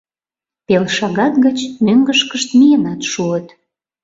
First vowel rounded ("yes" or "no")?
no